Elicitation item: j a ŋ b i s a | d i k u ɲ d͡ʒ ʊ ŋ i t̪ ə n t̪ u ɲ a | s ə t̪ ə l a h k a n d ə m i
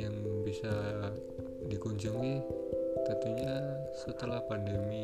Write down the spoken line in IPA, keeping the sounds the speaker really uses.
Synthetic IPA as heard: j a ŋ b i s a | d i k u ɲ d͡ʒ u ŋ i t̪ ə n t̪ u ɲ a | s ə t̪ ə l a h p a n d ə m i